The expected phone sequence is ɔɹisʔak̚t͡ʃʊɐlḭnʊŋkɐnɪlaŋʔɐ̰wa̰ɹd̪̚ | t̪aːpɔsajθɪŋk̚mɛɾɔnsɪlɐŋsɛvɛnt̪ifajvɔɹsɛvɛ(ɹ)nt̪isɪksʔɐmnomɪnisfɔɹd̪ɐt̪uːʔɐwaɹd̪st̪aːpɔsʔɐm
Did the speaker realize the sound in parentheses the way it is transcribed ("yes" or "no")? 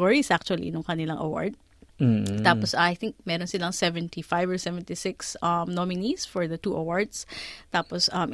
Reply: no